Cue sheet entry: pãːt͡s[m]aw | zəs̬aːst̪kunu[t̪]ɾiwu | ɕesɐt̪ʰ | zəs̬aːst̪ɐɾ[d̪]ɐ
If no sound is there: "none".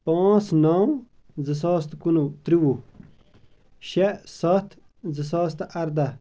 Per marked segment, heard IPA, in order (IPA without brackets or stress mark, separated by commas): n, t̪, d̪